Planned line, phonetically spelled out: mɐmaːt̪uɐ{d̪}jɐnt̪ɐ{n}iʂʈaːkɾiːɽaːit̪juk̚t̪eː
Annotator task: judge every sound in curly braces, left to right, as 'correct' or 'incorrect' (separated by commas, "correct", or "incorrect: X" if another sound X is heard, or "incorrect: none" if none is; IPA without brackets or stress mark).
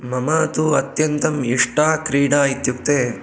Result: incorrect: t̪, incorrect: m